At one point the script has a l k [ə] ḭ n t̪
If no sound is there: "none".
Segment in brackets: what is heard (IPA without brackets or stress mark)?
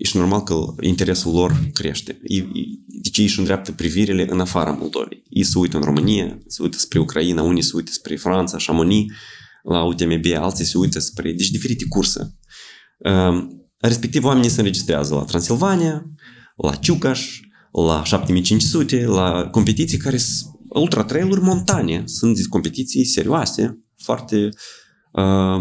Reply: ə